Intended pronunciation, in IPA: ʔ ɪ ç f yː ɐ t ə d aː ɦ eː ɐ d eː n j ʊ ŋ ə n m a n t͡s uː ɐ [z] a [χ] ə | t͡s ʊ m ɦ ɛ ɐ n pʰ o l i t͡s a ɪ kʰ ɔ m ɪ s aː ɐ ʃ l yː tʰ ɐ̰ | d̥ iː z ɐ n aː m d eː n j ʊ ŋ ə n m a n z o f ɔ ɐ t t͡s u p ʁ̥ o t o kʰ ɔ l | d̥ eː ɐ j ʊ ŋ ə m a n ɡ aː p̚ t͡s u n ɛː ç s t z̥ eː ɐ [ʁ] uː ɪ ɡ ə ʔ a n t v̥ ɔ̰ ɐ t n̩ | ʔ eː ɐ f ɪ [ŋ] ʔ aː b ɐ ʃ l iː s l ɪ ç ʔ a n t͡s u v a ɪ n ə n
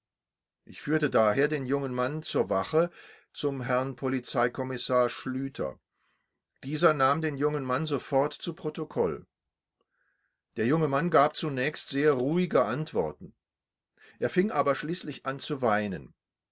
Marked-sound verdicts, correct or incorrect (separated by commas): incorrect, correct, correct, correct